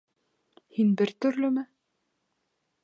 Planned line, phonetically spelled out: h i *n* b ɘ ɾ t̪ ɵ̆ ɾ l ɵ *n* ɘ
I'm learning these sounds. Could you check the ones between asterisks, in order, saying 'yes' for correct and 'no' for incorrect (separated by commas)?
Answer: yes, no